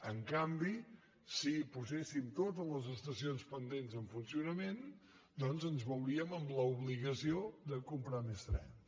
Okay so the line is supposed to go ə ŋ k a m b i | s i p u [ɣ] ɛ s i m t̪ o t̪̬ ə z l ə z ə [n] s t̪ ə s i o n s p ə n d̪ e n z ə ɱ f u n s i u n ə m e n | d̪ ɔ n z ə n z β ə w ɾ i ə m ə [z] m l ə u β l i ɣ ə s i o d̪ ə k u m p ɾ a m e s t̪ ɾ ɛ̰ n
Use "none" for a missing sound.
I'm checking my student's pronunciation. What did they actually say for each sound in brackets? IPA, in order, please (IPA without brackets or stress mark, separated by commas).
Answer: z, none, none